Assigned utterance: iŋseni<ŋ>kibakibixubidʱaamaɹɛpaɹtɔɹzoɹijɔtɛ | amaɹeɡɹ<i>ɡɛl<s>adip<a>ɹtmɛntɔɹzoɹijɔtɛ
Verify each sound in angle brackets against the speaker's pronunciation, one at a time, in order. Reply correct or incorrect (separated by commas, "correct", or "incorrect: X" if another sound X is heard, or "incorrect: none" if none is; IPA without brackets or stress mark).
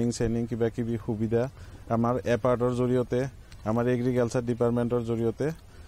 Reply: correct, correct, correct, correct